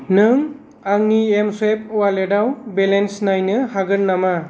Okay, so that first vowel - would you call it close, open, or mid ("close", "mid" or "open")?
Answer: close